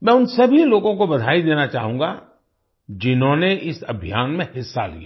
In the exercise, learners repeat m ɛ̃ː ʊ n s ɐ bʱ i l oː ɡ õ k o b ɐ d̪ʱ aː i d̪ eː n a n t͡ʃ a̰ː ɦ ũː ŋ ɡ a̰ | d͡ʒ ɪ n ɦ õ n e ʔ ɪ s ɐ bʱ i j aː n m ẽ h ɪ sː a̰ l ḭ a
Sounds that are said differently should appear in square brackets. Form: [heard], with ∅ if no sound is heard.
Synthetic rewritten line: m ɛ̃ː ʊ n s ɐ bʱ i l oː ɡ õ k o b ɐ d̪ʱ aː i d̪ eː n a [∅] t͡ʃ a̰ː ɦ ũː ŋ ɡ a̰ | d͡ʒ ɪ n ɦ õ n e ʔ ɪ s ɐ bʱ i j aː n m ẽ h ɪ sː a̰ l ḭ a

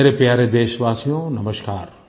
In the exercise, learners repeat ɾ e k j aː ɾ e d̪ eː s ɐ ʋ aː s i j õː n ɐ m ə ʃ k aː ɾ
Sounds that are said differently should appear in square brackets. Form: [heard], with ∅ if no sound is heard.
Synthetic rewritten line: ɾ e [p] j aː ɾ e d̪ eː [ʃ] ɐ ʋ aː s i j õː n ɐ m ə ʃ k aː ɾ

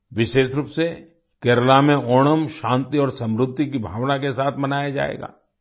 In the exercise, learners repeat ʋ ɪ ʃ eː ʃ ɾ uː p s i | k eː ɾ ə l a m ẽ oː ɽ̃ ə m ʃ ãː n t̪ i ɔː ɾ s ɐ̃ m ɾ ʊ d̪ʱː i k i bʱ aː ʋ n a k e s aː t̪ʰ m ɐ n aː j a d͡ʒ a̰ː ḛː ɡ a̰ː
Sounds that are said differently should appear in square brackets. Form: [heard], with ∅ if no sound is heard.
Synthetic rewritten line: ʋ ɪ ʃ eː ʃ ɾ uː p s [e] | k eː ɾ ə l a m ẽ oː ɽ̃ ə m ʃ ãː n t̪ i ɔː ɾ s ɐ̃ m ɾ ʊ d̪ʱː i k i bʱ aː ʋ n a k e s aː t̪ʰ m ɐ n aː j a d͡ʒ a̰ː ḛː ɡ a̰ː

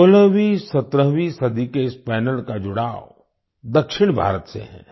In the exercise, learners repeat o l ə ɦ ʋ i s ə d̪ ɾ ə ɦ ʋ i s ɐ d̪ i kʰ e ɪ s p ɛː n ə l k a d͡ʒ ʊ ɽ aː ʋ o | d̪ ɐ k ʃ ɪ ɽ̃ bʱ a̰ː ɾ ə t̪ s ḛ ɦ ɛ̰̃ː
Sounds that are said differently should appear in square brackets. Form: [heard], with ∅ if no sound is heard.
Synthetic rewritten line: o l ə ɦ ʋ i s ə [t̪] ɾ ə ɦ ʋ i s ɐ d̪ i [k] e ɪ s p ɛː n ə l k a d͡ʒ ʊ ɽ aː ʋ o | d̪ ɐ k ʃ ɪ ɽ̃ bʱ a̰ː ɾ ə t̪ s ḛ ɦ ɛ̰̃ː

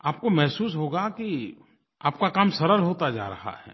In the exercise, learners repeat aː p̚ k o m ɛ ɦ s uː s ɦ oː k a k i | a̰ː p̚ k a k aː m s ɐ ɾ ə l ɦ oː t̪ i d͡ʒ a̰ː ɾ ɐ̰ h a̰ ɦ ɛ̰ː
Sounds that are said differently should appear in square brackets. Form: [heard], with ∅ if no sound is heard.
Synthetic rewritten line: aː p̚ k o m ɛ ɦ s uː s ɦ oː [ɡ] a k i | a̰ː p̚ k a k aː m s ɐ ɾ ə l ɦ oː t̪ [a] d͡ʒ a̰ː ɾ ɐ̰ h a̰ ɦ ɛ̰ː

